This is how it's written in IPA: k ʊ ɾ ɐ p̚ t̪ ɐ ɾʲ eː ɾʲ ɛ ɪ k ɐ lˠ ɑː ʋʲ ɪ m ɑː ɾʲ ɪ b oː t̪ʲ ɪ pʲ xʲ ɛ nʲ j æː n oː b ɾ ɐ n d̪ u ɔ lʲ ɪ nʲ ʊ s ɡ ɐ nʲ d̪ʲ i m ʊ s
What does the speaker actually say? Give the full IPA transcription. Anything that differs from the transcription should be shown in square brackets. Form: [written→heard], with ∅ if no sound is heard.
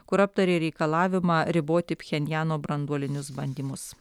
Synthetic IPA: k ʊ ɾ ɐ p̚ t̪ ɐ ɾʲ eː ɾʲ ɛ ɪ k ɐ lˠ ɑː ʋʲ ɪ m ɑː ɾʲ ɪ b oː t̪ʲ ɪ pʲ xʲ ɛ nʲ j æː n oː b ɾ ɐ n d̪ u ɔ lʲ ɪ nʲ ʊ s [ɡ→b] ɐ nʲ d̪ʲ i m ʊ s